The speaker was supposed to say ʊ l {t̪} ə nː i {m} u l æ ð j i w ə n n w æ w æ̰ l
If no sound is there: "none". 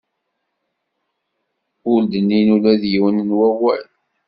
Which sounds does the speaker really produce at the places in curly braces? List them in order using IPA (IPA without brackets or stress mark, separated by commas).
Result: d̪, n